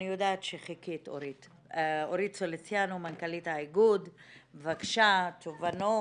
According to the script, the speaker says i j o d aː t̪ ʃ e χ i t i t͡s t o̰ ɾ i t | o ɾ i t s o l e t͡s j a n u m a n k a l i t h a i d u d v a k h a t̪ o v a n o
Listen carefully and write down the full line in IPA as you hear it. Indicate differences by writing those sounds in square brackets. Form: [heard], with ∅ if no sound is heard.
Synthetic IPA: i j o d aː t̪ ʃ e χ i [k] i [∅] t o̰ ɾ i t | o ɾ i t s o l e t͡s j a n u m a n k a l i t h a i [ɡ] u d v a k [ʃ] a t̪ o v a n o